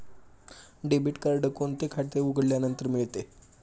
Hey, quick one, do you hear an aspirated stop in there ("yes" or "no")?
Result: yes